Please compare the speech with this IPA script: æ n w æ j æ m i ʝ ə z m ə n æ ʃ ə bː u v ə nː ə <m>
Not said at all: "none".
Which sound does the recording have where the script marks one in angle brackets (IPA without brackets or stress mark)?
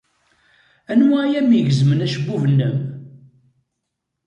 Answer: m